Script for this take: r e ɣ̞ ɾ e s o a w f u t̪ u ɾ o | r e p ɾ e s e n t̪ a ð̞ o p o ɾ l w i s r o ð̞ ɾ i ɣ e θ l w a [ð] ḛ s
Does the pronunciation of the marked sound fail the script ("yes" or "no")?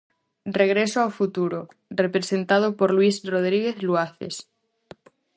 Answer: yes